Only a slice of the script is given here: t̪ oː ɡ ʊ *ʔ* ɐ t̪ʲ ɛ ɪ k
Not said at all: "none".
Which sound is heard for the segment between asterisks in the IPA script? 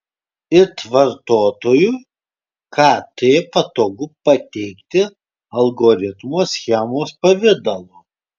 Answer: p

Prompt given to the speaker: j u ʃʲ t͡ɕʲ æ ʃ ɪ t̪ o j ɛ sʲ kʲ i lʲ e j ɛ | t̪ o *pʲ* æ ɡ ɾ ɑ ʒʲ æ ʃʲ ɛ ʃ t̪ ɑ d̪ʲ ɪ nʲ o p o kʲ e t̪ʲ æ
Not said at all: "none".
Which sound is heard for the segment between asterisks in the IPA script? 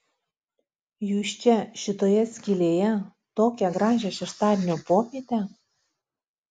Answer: kʲ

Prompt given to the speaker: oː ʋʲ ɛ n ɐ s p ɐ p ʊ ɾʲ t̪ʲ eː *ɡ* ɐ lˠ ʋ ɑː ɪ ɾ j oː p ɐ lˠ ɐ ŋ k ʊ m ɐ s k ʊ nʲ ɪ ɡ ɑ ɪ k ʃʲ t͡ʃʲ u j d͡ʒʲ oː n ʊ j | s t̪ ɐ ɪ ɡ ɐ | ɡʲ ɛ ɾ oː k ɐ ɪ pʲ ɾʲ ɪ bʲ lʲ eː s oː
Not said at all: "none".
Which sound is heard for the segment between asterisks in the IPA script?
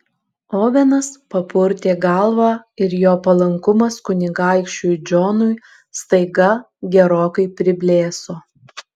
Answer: ɡ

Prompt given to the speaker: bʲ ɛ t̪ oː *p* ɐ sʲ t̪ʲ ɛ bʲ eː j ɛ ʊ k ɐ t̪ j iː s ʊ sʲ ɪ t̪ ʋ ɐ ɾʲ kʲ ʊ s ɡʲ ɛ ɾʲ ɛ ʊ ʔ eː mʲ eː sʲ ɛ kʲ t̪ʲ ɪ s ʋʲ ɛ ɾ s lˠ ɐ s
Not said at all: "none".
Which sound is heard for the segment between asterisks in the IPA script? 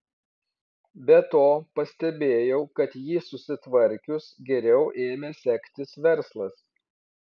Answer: p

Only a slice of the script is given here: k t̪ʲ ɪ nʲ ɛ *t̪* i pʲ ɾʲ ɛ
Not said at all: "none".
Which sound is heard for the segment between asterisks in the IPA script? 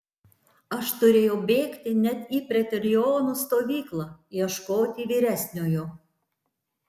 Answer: t̪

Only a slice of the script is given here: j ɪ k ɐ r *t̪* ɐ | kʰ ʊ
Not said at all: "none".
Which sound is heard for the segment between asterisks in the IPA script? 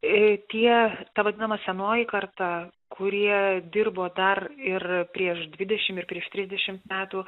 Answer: t̪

